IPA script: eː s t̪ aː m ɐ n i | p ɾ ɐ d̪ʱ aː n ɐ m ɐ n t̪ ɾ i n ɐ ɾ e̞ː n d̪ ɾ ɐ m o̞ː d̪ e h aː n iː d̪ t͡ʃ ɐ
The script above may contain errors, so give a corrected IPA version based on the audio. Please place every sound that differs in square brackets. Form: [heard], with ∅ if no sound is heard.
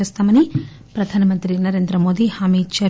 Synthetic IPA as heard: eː s t̪ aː m ɐ n i | p ɾ ɐ d̪ʱ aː n ɐ m ɐ n t̪ ɾ i n ɐ ɾ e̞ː n d̪ ɾ ɐ m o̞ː d̪ [i] h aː [m] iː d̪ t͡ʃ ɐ